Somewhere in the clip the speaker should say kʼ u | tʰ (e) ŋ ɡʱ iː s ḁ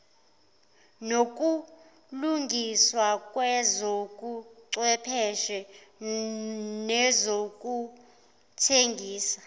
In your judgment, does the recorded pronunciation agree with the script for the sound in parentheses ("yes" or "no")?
yes